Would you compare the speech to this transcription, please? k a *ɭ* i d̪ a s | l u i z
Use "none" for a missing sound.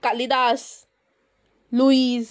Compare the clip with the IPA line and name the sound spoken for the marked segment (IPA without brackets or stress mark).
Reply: l